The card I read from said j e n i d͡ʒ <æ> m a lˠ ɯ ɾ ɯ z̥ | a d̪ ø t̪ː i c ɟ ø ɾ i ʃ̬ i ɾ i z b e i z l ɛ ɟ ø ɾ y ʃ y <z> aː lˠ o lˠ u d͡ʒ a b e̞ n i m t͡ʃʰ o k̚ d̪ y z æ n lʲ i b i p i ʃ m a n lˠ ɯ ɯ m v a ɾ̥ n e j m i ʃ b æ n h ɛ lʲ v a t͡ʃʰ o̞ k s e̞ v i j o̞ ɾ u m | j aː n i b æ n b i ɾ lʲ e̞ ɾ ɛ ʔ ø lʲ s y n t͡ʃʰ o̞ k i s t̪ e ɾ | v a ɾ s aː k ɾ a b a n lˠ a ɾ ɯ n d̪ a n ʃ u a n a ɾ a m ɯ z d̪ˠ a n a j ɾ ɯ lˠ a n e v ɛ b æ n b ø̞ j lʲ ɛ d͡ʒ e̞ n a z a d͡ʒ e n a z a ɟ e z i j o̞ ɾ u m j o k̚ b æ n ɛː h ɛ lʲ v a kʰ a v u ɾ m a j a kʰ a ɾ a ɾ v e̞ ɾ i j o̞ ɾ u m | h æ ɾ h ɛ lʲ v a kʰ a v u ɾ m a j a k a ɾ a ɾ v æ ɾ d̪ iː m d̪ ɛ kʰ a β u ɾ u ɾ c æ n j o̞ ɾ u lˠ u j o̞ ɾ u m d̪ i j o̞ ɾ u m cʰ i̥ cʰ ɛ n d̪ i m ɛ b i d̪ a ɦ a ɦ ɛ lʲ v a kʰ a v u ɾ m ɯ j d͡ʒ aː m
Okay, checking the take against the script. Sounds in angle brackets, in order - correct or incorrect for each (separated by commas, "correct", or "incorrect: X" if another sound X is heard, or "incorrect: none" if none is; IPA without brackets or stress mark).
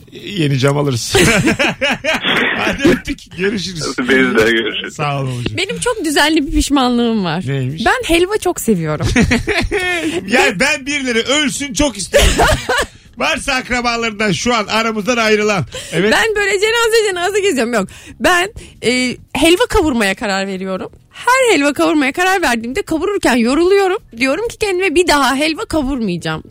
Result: incorrect: a, incorrect: s